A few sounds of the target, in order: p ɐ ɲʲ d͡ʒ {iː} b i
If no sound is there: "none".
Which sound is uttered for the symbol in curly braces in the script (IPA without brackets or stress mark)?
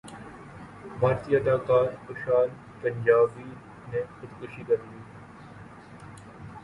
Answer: aː